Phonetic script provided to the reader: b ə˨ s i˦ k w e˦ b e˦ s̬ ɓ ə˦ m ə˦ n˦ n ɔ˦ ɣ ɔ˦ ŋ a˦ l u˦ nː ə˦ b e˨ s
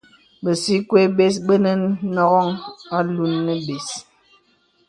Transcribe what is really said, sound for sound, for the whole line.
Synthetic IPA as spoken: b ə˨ s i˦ k w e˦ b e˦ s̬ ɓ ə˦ n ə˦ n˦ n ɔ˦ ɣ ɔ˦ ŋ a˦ l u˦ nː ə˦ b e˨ s